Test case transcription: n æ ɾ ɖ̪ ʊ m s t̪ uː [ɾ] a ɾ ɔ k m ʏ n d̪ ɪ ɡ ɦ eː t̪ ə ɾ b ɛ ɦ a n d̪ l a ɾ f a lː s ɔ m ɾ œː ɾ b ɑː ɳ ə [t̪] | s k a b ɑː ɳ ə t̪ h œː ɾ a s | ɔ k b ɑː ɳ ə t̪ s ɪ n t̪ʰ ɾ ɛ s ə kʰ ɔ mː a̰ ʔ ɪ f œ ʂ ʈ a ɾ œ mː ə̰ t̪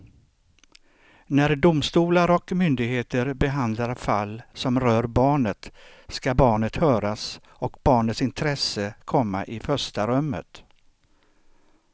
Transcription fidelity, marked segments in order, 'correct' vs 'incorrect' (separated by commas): incorrect, correct